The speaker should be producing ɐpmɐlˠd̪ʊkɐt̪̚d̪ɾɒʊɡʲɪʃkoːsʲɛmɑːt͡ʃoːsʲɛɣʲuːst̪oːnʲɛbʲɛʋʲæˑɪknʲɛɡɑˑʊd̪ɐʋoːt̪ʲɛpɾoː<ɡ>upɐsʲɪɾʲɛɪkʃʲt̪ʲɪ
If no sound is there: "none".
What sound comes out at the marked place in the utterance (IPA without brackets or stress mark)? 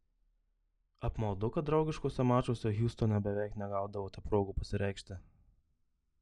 ɡ